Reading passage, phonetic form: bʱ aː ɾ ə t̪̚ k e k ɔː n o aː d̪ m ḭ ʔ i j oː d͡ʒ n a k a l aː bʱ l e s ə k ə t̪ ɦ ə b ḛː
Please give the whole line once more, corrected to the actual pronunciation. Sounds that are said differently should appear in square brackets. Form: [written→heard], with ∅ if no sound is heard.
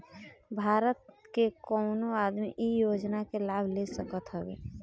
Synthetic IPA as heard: bʱ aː ɾ ə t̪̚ k e k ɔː n o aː d̪ m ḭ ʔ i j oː d͡ʒ n a k [a→e] l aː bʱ l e s ə k ə t̪ ɦ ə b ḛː